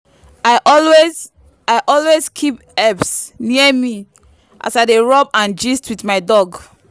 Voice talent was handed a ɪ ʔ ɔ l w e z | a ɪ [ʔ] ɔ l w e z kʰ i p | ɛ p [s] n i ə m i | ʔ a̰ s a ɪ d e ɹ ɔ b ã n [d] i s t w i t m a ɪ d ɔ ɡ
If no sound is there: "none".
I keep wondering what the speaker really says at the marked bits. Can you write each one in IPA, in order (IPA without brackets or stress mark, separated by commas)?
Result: ʔ, s, d͡ʒ